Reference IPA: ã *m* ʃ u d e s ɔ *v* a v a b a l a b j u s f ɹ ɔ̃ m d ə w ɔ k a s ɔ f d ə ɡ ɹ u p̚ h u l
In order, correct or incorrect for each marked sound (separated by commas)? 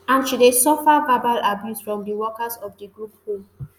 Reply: incorrect, incorrect